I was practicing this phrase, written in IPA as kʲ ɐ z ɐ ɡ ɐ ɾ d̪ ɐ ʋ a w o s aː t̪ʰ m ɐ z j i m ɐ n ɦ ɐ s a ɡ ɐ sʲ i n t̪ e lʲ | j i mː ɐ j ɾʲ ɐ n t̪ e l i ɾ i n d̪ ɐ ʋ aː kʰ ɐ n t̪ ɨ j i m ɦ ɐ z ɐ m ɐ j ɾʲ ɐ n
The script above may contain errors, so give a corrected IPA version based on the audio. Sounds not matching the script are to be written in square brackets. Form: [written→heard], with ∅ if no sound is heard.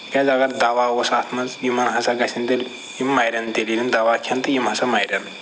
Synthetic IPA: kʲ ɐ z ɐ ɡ ɐ ɾ d̪ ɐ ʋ a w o s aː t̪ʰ m ɐ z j i m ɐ n ɦ ɐ s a ɡ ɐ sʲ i n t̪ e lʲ | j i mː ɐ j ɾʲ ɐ n t̪ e l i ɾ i n d̪ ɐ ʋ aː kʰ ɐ n t̪ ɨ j i m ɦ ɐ [z→s] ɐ m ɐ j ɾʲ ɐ n

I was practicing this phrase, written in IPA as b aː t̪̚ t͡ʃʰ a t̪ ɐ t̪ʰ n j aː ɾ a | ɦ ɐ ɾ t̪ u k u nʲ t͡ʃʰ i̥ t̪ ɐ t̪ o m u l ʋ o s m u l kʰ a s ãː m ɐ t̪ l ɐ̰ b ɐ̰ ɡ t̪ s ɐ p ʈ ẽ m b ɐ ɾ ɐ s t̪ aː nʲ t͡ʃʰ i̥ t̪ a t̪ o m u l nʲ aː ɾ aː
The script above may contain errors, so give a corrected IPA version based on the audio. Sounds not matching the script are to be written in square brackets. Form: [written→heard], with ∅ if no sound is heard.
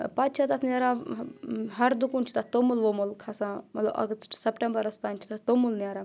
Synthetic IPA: [b→p] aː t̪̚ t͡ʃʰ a t̪ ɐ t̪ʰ n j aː ɾ a | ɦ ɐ ɾ [t̪→d̪] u k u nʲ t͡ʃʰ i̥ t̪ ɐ t̪ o m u l ʋ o [s→∅] m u l kʰ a s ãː m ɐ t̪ l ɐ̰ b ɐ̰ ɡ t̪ s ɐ p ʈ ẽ m b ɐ ɾ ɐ s t̪ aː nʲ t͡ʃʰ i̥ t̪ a t̪ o m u l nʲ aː ɾ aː

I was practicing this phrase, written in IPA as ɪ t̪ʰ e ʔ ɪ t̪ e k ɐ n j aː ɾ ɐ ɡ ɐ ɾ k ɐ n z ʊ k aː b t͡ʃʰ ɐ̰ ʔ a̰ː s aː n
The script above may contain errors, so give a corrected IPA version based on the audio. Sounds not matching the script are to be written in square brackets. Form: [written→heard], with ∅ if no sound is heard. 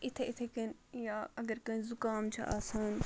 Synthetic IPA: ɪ t̪ʰ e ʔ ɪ [t̪→t̪ʰ] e k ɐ n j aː [ɾ→∅] ɐ ɡ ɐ ɾ k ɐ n z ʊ k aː [b→m] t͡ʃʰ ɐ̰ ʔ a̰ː s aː n

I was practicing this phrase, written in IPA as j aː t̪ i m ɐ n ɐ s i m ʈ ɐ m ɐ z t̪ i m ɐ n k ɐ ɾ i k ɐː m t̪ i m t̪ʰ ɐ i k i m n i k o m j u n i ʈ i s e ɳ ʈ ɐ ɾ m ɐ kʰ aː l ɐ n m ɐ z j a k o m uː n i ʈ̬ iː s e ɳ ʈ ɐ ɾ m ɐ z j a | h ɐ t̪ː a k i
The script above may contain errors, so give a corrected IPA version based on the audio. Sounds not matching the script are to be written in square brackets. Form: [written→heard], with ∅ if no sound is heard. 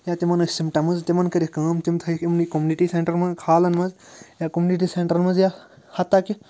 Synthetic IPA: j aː t̪ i m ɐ n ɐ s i m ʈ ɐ m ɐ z t̪ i m ɐ n k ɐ ɾ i k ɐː m t̪ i m t̪ʰ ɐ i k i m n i k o m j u n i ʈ i s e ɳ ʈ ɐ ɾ m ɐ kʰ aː l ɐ n m ɐ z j a k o m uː n i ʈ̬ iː s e ɳ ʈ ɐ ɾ m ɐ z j a | h ɐ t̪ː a k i

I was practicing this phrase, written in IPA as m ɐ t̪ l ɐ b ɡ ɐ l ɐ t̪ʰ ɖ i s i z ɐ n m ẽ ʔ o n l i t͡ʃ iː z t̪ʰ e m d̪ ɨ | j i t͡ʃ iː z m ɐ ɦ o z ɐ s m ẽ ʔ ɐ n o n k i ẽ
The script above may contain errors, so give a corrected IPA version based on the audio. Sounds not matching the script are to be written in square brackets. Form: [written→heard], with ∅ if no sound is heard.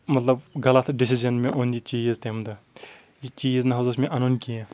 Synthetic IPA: m ɐ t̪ l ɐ b ɡ ɐ l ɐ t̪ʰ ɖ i s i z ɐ n m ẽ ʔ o n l i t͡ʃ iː z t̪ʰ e m d̪ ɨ | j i t͡ʃ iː z [m→n] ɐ ɦ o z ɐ s m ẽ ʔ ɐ n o n k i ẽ

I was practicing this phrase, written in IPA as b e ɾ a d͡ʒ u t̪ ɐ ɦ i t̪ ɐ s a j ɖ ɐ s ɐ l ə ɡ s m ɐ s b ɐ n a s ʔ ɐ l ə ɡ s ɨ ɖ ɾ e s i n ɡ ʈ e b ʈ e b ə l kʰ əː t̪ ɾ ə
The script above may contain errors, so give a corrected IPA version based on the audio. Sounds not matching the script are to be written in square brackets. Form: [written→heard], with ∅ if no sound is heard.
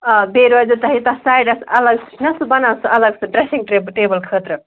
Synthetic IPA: b e ɾ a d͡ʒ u t̪ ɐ ɦ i t̪ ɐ s a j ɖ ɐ s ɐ l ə ɡ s [m→n] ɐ s b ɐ n a s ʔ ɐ l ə ɡ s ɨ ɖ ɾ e s i [n→ŋ] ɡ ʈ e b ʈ e b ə l kʰ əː t̪ ɾ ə

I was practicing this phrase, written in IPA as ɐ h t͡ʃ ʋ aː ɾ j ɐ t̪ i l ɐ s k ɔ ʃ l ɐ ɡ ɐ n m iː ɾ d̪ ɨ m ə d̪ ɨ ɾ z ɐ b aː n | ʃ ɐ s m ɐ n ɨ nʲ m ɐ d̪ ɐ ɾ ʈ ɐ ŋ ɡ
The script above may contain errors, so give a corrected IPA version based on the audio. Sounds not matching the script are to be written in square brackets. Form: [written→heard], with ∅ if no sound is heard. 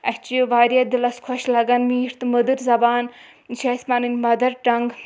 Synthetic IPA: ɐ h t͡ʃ ʋ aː ɾ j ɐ [t̪→d̪] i l ɐ s [k→kʰ] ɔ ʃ l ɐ ɡ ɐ n m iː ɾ [d̪→t̪] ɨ m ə d̪ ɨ ɾ z ɐ b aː n | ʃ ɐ s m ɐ n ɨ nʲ m ɐ d̪ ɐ ɾ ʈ ɐ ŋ ɡ

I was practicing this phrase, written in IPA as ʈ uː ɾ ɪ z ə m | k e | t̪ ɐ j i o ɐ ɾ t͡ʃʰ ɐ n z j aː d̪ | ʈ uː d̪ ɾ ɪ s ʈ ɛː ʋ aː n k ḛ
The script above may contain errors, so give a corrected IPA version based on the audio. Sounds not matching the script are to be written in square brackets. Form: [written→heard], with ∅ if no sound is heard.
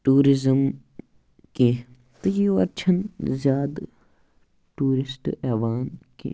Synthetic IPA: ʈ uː ɾ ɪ z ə m | k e | t̪ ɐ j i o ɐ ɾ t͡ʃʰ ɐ n z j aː d̪ | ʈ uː [d̪→∅] ɾ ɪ s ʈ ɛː ʋ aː n k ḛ

